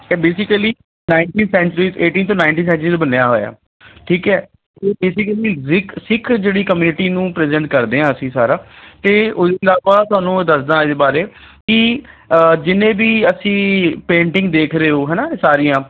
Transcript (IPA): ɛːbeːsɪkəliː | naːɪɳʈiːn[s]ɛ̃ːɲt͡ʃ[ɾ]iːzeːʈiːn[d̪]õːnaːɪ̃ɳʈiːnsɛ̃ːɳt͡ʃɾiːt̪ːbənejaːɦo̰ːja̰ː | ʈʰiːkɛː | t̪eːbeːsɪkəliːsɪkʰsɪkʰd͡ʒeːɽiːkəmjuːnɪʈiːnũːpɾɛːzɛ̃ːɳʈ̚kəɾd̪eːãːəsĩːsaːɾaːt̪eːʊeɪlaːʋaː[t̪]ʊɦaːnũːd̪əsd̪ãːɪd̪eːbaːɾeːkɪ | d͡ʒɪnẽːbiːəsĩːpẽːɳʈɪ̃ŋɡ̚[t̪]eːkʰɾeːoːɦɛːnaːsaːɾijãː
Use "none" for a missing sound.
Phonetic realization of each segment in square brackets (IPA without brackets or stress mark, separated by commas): s, ɾ, t̪, t̪, d̪